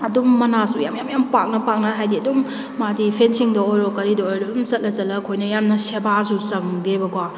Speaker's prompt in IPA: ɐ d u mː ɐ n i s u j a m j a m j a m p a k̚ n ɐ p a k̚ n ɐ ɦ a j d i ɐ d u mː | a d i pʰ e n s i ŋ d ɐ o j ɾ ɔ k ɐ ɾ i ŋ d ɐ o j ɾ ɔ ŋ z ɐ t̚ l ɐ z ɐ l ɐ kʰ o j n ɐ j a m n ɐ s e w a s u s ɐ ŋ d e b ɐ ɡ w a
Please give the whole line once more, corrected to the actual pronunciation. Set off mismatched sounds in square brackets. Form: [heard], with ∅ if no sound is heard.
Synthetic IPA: ɐ d u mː ɐ n [a] s u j a m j a m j a m p a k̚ n ɐ p a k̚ n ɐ ɦ a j d i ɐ d u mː | a d i pʰ e n s i ŋ d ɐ o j ɾ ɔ k ɐ ɾ i [∅] d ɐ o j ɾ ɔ [m] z ɐ t̚ l ɐ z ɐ l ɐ kʰ o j n ɐ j a m n ɐ s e [b] a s u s ɐ ŋ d e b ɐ ɡ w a

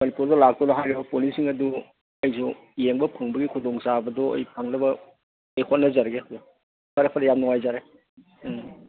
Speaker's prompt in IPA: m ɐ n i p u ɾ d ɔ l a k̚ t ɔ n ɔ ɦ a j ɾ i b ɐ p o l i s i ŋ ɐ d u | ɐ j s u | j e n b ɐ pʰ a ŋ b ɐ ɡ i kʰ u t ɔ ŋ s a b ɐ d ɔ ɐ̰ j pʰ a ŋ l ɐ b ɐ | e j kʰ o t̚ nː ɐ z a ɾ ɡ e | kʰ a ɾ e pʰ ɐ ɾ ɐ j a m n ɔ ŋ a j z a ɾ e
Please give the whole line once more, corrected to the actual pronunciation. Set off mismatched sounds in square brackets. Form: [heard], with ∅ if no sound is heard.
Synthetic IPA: m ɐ n i p u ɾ d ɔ l a k̚ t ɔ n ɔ ɦ a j ɾ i b ɐ p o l i s i ŋ ɐ d u | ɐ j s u | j e [ŋ] b ɐ pʰ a ŋ b ɐ ɡ i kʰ u [d] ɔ ŋ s a b ɐ d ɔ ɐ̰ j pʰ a ŋ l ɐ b ɐ | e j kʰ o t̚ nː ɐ z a ɾ ɡ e | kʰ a ɾ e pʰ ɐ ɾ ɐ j a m n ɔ ŋ a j z a ɾ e

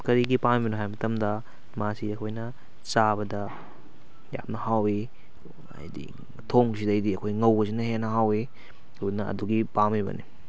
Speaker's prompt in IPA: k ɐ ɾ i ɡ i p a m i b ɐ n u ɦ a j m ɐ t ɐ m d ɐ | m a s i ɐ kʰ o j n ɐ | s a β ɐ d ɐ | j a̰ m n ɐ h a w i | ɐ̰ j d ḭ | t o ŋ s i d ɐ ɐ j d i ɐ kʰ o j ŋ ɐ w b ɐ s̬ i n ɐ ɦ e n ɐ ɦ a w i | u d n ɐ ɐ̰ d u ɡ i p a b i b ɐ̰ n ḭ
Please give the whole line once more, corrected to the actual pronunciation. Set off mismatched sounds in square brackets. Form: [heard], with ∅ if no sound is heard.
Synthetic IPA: k ɐ ɾ i ɡ i p a m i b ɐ n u ɦ a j m ɐ t ɐ m d ɐ | m a s i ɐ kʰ o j n ɐ | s a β ɐ d ɐ | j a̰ m n ɐ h a w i | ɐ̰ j d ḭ | [tʰ] o ŋ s i d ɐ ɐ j d i ɐ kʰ o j ŋ ɐ w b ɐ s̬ i n ɐ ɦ e n ɐ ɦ a w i | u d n ɐ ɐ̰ d u ɡ i p a [m] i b ɐ̰ n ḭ

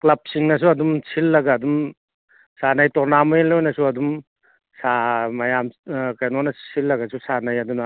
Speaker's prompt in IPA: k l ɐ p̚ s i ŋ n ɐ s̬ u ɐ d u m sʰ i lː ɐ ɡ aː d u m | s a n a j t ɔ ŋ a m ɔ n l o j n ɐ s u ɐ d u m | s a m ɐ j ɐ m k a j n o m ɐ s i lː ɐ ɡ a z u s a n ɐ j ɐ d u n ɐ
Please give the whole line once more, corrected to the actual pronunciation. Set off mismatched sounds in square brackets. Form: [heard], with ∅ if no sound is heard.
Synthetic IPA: k l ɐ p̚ s i ŋ n ɐ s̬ u ɐ d u m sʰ i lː ɐ ɡ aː d u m | s a n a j t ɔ [n] a m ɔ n l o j n ɐ s u ɐ d u m | s a m ɐ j [a] m k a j n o [n] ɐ s i lː ɐ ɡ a [s] u s a n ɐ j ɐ d u n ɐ

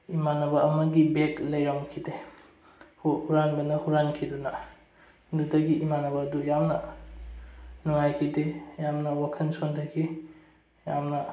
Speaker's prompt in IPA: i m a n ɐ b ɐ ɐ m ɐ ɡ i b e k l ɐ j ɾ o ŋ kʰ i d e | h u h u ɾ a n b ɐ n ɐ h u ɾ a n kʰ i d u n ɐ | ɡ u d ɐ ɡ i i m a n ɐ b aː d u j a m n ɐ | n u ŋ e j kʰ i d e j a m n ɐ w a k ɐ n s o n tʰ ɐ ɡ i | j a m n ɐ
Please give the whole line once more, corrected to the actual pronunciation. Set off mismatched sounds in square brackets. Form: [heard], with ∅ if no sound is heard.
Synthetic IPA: i m a n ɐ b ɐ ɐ m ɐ ɡ i b e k l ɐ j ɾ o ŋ kʰ i d e | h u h u ɾ a n b ɐ n ɐ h u ɾ a n kʰ i d u n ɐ | [d] u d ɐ ɡ i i m a n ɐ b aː d u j a m n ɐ | n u ŋ [a] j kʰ i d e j a m n ɐ w a [kʰ] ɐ n s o n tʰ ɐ ɡ i | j a m n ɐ

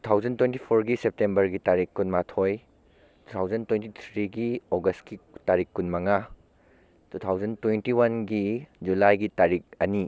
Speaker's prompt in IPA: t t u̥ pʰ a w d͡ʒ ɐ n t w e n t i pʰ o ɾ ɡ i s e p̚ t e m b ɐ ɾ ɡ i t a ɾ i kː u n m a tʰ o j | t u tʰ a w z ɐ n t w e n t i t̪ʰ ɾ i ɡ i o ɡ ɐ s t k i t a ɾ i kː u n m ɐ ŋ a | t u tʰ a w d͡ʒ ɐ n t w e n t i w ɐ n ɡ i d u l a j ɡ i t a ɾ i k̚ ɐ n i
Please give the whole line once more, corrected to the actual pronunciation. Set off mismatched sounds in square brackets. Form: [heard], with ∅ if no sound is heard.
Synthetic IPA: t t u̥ [tʰ] a w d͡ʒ ɐ n t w e n t i pʰ o ɾ ɡ i s e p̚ t e m b ɐ ɾ ɡ i t a ɾ i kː u n m a tʰ o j | t u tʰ a w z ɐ n t w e n t i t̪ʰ ɾ i ɡ i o ɡ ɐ s t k i t a ɾ i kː u n m ɐ ŋ a | t u tʰ a w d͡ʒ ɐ n t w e n t i w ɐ n ɡ i [d͡ʒ] u l a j ɡ i t a ɾ i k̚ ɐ n i

